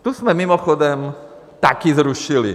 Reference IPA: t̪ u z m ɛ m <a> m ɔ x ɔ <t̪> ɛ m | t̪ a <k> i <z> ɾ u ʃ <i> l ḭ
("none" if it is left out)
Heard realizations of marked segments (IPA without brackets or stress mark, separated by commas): i, d̪, k, z, i